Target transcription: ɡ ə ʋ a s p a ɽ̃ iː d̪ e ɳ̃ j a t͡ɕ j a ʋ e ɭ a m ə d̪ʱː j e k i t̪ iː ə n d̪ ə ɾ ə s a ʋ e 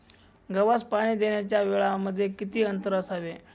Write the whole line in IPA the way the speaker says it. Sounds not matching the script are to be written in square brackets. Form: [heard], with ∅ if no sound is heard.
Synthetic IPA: ɡ ə ʋ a s p a ɽ̃ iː d̪ e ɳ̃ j a t͡ɕ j a ʋ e ɭ a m ə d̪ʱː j e k i t̪ iː ə n [t̪] ə ɾ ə s a ʋ e